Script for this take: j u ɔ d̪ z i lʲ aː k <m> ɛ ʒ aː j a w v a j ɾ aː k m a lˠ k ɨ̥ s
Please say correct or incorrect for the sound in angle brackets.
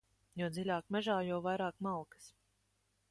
correct